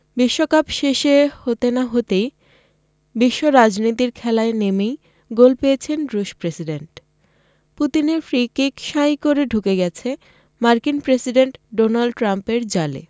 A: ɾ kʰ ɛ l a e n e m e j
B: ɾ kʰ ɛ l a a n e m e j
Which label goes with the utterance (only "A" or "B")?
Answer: A